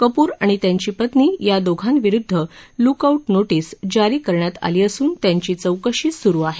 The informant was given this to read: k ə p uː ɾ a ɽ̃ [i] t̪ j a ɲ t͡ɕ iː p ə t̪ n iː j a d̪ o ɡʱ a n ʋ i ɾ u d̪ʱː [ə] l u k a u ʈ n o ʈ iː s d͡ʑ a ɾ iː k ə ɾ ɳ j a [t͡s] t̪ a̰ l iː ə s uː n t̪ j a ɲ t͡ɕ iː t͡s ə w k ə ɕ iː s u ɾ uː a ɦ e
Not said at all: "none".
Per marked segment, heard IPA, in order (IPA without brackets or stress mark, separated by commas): i, ə, none